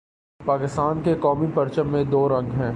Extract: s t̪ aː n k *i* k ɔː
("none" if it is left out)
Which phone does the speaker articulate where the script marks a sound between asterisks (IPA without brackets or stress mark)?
e